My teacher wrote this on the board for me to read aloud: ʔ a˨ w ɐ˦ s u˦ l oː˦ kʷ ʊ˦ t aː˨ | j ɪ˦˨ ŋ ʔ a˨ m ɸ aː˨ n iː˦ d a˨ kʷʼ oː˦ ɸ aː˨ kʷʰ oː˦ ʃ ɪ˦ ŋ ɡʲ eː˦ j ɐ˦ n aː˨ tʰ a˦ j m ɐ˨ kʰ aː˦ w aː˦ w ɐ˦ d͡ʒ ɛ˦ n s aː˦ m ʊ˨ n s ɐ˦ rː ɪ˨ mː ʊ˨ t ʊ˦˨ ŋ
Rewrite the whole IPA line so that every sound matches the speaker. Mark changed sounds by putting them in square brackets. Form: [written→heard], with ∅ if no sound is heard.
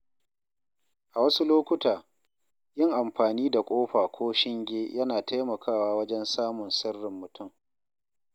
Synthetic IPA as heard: ʔ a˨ w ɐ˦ s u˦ l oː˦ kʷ ʊ˦ t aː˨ | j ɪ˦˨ ŋ ʔ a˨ m ɸ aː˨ n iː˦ d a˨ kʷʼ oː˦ ɸ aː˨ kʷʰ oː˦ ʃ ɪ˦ ŋ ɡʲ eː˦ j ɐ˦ n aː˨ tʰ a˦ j m ɐ˨ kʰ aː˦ w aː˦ w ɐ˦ d͡ʒ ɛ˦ n s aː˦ m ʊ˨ n s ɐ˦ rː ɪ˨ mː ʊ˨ t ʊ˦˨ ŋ